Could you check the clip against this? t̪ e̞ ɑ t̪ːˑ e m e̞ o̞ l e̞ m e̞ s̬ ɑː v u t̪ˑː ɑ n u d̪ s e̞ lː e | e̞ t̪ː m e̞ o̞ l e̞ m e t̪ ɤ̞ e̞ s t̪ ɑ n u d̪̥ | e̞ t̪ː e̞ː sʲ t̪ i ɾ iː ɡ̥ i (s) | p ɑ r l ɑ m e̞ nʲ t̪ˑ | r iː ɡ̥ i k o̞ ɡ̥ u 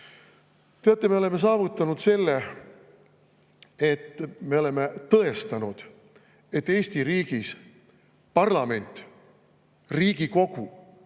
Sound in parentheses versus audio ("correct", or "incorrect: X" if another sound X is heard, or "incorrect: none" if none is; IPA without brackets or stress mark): correct